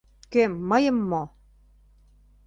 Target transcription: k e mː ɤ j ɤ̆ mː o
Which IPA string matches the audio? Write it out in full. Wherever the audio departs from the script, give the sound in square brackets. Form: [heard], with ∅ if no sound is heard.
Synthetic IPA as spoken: k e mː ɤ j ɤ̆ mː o